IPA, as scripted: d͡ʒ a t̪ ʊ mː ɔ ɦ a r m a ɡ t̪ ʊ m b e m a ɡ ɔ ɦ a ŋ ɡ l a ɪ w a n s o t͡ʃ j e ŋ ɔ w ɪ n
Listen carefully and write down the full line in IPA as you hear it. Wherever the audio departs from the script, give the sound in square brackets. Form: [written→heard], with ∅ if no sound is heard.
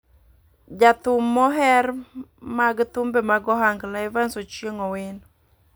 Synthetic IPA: d͡ʒ a t̪ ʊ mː ɔ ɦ [a→ɛ] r m a ɡ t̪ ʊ m b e m a ɡ ɔ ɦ a ŋ ɡ l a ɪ [w→v] a n s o t͡ʃ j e ŋ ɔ w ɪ n